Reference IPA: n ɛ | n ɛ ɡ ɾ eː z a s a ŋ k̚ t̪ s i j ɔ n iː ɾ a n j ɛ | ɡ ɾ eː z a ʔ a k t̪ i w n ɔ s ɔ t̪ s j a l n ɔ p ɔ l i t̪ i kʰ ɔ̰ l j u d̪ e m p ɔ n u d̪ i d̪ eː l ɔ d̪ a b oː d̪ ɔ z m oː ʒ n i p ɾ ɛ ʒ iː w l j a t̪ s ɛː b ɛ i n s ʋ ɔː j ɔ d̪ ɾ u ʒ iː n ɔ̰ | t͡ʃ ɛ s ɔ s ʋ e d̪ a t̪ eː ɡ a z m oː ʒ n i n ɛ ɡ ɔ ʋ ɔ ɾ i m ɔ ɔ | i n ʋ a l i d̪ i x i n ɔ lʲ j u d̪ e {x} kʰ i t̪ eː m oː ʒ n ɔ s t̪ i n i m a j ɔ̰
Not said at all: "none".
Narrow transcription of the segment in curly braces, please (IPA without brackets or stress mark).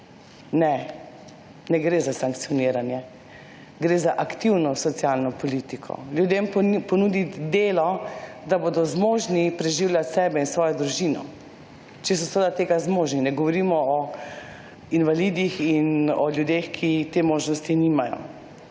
x